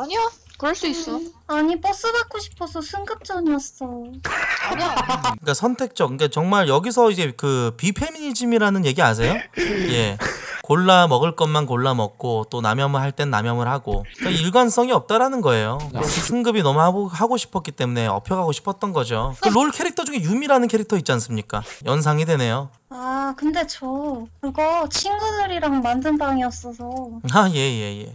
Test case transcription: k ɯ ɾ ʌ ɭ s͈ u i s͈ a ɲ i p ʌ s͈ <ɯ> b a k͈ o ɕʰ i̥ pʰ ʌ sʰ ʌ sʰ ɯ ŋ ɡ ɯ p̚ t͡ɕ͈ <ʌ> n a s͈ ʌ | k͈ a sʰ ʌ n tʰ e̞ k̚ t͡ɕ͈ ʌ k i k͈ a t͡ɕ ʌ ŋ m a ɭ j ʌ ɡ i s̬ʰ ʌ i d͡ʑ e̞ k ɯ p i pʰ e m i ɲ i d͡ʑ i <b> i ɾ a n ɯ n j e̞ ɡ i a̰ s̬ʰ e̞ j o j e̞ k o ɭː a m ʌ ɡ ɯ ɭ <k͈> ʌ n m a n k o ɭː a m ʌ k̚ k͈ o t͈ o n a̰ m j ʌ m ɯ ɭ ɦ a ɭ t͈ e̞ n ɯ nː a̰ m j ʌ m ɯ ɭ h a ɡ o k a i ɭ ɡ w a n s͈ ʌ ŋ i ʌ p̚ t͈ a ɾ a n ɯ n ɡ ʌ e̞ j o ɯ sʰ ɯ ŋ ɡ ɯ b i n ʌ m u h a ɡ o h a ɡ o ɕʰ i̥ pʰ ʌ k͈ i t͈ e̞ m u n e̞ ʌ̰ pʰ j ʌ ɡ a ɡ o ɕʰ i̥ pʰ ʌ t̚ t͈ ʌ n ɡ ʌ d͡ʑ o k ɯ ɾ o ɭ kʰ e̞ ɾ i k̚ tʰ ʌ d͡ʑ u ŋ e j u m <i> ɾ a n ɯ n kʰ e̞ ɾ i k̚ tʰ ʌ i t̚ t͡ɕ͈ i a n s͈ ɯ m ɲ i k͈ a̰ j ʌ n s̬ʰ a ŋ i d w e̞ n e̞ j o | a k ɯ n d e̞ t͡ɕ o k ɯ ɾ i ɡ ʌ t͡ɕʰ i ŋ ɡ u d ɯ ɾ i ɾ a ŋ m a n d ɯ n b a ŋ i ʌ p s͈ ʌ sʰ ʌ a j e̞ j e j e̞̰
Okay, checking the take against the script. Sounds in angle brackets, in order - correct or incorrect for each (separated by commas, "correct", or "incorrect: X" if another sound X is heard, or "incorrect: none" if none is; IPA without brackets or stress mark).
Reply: correct, correct, incorrect: m, correct, correct